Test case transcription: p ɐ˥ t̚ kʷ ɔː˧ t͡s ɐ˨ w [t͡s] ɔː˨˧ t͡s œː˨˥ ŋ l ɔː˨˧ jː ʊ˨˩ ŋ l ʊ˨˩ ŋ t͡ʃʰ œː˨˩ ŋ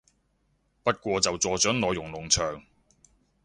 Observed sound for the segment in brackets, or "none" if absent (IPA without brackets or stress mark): t͡s